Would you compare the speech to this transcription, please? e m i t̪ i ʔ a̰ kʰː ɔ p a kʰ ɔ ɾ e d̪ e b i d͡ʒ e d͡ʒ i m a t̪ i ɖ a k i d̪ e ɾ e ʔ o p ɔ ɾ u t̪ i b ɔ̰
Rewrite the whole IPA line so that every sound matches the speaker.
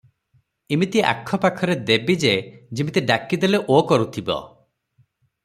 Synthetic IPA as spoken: i m i t̪ i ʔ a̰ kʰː ɔ p a kʰ ɔ ɾ e d̪ e b i d͡ʒ e d͡ʒ i m i t̪ i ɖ a k i d̪ e l e ʔ o k ɔ ɾ u t̪ʰ i b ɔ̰